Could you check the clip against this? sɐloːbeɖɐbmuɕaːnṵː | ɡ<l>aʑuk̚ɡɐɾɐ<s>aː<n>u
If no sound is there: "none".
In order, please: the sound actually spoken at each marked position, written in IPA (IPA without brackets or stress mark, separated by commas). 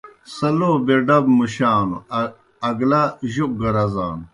l, z, n